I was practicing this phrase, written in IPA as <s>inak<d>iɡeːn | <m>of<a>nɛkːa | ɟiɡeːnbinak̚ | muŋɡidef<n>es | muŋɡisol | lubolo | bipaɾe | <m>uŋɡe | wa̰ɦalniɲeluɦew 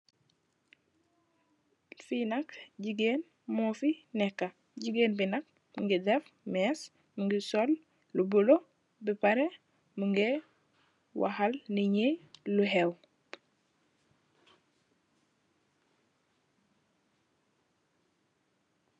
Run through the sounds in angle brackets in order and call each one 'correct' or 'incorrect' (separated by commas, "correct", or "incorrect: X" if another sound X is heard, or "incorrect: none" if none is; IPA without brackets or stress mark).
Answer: incorrect: f, incorrect: ɟ, correct, incorrect: i, incorrect: m, correct